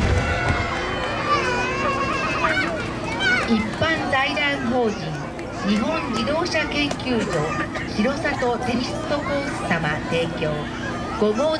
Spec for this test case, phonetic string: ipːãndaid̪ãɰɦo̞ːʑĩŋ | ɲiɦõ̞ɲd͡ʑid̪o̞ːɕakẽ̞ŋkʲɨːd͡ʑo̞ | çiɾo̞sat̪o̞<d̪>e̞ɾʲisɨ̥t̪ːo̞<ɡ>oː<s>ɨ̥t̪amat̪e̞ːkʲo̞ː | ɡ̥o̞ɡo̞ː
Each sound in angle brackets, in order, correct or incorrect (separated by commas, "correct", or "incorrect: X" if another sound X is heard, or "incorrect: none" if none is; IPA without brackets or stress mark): incorrect: t̪, incorrect: k, correct